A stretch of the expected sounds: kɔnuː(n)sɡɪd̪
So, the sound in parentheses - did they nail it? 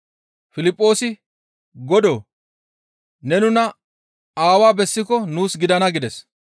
no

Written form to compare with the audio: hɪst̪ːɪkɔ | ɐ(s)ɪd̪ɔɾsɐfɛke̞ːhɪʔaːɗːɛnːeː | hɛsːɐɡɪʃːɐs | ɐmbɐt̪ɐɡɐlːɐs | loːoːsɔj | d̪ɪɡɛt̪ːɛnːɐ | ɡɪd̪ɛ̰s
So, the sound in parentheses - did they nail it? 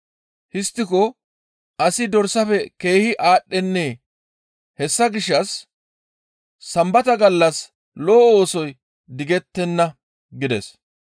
yes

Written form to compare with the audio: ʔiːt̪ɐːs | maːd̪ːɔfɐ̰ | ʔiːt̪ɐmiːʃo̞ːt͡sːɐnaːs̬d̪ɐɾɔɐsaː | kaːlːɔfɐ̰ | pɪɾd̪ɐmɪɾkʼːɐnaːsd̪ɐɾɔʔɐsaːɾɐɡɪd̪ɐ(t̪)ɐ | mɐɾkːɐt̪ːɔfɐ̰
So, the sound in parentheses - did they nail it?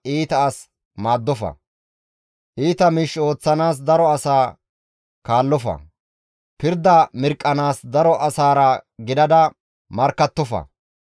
no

